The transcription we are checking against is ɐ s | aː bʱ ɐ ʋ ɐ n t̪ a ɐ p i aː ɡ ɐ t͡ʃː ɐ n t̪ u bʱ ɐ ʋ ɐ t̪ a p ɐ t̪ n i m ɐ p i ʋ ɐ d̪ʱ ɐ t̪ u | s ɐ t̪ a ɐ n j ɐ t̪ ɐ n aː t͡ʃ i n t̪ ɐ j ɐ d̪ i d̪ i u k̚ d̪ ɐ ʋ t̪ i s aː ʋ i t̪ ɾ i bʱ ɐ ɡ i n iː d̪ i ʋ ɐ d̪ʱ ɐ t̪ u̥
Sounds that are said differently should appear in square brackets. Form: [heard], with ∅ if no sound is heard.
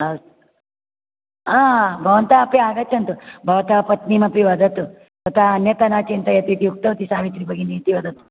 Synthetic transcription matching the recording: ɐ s | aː bʱ ɐ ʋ ɐ n t̪ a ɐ p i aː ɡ ɐ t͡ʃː ɐ n t̪ u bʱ ɐ ʋ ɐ t̪ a p ɐ t̪ n i m ɐ p i ʋ ɐ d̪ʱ ɐ t̪ u | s ɐ t̪ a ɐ n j ɐ t̪ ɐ n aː t͡ʃ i n t̪ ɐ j ɐ [t̪] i [t̪] i u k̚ [t̪] ɐ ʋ t̪ i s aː ʋ i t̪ ɾ i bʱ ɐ ɡ i n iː [t̪] i ʋ ɐ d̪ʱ ɐ t̪ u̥

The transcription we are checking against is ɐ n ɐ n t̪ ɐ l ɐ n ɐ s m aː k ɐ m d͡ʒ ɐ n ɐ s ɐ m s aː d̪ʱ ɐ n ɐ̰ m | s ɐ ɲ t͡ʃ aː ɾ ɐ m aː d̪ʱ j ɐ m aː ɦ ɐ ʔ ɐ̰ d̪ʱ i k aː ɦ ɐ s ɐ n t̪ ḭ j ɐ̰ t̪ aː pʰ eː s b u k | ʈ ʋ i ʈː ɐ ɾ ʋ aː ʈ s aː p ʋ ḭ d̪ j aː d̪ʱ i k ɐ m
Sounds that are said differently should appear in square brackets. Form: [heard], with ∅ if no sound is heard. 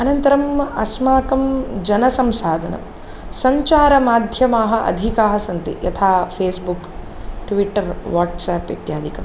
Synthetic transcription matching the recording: ɐ n ɐ n t̪ ɐ [ɾ] ɐ [m] ɐ s m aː k ɐ m d͡ʒ ɐ n ɐ s ɐ m s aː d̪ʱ ɐ n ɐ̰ m | s ɐ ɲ t͡ʃ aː ɾ ɐ m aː d̪ʱ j ɐ m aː ɦ ɐ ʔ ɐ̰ d̪ʱ i k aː ɦ ɐ s ɐ n t̪ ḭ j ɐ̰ [t̪ʰ] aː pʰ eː s b u k | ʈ ʋ i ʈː ɐ ɾ ʋ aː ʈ s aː p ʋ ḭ [t̪] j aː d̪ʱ i k ɐ m

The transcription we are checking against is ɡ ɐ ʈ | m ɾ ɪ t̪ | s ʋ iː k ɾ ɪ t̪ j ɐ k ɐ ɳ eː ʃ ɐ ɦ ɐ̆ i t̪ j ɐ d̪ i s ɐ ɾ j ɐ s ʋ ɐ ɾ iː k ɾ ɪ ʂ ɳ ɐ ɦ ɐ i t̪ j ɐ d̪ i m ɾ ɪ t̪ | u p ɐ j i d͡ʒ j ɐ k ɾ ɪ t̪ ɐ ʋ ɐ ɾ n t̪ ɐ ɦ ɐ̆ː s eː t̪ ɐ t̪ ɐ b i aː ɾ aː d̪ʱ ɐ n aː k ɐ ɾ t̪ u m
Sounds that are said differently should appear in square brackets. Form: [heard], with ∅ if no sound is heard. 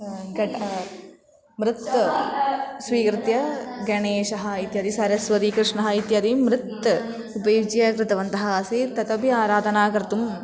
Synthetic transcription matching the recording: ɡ ɐ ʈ | m ɾ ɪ t̪ | s ʋ iː k ɾ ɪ t̪ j ɐ [ɡ] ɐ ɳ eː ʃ ɐ ɦ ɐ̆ i t̪ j ɐ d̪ i s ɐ ɾ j ɐ s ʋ ɐ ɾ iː k ɾ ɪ ʂ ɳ ɐ ɦ ɐ i t̪ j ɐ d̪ i m ɾ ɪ t̪ | u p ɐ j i d͡ʒ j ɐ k ɾ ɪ t̪ ɐ ʋ ɐ [∅] n t̪ ɐ ɦ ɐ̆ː s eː t̪ ɐ t̪ ɐ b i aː ɾ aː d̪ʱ ɐ n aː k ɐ ɾ t̪ u m

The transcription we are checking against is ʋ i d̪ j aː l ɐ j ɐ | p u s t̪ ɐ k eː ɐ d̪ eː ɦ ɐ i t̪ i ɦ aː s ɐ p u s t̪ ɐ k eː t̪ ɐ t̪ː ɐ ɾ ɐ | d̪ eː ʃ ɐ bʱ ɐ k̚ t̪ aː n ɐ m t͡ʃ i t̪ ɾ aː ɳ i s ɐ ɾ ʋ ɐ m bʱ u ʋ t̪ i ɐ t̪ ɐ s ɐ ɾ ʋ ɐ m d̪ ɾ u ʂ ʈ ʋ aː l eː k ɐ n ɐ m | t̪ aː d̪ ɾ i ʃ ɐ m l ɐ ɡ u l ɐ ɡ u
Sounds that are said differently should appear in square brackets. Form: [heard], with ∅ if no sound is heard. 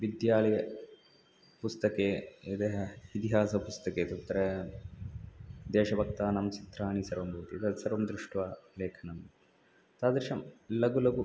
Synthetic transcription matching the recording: ʋ i d̪ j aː l ɐ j ɐ | p u s t̪ ɐ k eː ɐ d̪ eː ɦ ɐ i t̪ i ɦ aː s ɐ p u s t̪ ɐ k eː t̪ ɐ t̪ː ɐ ɾ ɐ | d̪ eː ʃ ɐ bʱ ɐ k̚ t̪ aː n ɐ m t͡ʃ i t̪ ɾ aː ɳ i s ɐ ɾ ʋ ɐ m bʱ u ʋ t̪ i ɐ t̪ ɐ s ɐ ɾ ʋ ɐ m d̪ ɾ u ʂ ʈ ʋ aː l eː [kʰ] ɐ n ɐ m | t̪ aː d̪ ɾ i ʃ ɐ m l ɐ ɡ u l ɐ ɡ u

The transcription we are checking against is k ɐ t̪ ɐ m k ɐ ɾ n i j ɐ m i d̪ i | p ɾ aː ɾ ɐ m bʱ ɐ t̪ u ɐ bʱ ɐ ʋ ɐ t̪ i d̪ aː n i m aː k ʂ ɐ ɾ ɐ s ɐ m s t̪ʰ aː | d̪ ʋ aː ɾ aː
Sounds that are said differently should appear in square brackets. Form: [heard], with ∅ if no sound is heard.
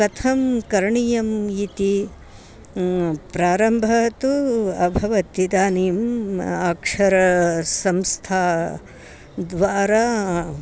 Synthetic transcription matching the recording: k ɐ [t̪ʰ] ɐ m k ɐ ɾ [ɳ] i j ɐ m i [t̪] i | p ɾ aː ɾ ɐ m bʱ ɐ t̪ u ɐ bʱ ɐ ʋ ɐ t̪ i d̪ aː n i m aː k ʂ ɐ ɾ ɐ s ɐ m s t̪ʰ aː | d̪ ʋ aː ɾ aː

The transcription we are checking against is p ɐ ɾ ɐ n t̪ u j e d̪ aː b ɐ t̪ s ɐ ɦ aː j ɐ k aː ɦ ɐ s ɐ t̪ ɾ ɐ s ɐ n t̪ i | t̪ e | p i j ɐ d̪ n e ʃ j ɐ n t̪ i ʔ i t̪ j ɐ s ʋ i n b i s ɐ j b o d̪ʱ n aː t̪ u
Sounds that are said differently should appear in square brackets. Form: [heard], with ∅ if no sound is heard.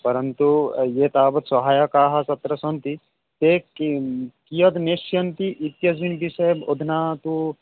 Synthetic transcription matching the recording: p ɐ ɾ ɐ n t̪ u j e [t̪] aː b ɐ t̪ s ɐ ɦ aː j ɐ k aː ɦ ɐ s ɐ t̪ ɾ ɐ s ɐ n t̪ i | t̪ e | [k] i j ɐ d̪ n e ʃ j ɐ n t̪ i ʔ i t̪ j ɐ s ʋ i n b i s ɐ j b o d̪ʱ n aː t̪ u

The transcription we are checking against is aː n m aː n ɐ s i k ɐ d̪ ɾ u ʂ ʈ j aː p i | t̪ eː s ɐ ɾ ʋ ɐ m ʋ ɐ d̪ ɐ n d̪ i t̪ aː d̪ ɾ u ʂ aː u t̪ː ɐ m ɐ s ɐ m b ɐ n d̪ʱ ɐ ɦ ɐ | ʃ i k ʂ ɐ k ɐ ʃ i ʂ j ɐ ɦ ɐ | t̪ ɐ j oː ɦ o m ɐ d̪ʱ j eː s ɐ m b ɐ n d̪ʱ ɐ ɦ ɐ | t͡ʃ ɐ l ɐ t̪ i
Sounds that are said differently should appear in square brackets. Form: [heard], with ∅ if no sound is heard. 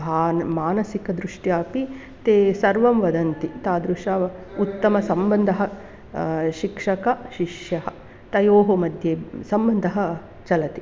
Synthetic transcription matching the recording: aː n m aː n ɐ s i k ɐ d̪ ɾ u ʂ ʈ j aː p i | t̪ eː s ɐ ɾ ʋ ɐ m ʋ ɐ d̪ ɐ n [t̪] i t̪ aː d̪ ɾ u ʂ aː u t̪ː ɐ m ɐ s ɐ m b ɐ n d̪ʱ ɐ ɦ ɐ | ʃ i k ʂ ɐ k ɐ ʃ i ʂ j ɐ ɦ ɐ | t̪ ɐ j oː ɦ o m ɐ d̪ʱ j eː s ɐ m b ɐ n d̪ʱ ɐ ɦ ɐ | t͡ʃ ɐ l ɐ t̪ i

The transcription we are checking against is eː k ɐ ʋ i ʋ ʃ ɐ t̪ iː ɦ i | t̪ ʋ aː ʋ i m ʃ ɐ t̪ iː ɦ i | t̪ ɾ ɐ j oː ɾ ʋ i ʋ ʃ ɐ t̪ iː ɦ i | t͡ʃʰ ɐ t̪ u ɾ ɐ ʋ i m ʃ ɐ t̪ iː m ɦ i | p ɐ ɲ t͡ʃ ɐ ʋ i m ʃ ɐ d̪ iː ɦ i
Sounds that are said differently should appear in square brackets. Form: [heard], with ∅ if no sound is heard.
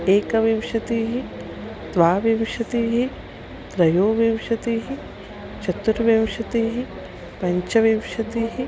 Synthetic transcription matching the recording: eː k ɐ ʋ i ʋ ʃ ɐ t̪ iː ɦ i | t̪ ʋ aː ʋ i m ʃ ɐ t̪ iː ɦ i | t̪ ɾ ɐ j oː [∅] ʋ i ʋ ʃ ɐ t̪ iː ɦ i | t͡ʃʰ ɐ t̪ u ɾ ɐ ʋ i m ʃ ɐ t̪ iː [∅] ɦ i | p ɐ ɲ t͡ʃ ɐ ʋ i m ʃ ɐ [t̪] iː ɦ i

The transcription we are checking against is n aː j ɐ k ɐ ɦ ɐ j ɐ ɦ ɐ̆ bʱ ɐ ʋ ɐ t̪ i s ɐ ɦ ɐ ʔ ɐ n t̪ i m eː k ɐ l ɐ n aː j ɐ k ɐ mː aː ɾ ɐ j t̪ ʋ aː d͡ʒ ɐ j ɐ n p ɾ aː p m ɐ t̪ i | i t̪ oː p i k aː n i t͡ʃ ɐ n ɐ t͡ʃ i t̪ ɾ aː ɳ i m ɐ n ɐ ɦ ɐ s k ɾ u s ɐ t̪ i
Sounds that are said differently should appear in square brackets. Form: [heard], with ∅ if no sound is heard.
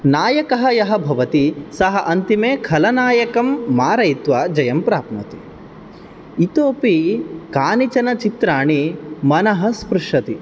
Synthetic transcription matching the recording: n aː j ɐ k ɐ ɦ ɐ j ɐ ɦ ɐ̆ bʱ ɐ ʋ ɐ t̪ i s ɐ ɦ ɐ ʔ ɐ n t̪ i m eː [kʰ] ɐ l ɐ n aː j ɐ k ɐ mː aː ɾ ɐ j t̪ ʋ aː d͡ʒ ɐ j ɐ [m] p ɾ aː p m ɐ t̪ i | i t̪ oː p i k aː n i t͡ʃ ɐ n ɐ t͡ʃ i t̪ ɾ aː ɳ i m ɐ n ɐ ɦ ɐ s [p] ɾ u [ʂ] ɐ t̪ i

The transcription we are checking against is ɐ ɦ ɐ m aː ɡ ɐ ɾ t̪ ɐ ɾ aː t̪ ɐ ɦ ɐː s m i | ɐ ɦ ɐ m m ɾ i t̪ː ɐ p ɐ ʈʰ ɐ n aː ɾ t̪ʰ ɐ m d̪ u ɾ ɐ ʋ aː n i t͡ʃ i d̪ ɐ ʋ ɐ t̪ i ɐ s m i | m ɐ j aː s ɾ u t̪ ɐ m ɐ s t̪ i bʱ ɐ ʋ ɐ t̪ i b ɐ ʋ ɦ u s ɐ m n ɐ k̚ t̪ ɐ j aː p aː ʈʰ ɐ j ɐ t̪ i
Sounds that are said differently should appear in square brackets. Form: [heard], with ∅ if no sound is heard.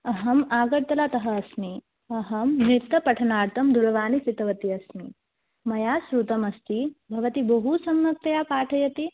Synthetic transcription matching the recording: ɐ ɦ ɐ m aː ɡ ɐ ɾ t̪ ɐ [l] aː t̪ ɐ ɦ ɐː s m i | ɐ ɦ ɐ m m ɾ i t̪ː ɐ p ɐ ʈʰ ɐ n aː ɾ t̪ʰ ɐ m d̪ u ɾ ɐ ʋ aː n i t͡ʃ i [t̪] ɐ ʋ ɐ t̪ i ɐ s m i | m ɐ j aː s ɾ u t̪ ɐ m ɐ s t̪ i bʱ ɐ ʋ ɐ t̪ i b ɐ [∅] ɦ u s ɐ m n ɐ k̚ t̪ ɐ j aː p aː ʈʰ ɐ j ɐ t̪ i

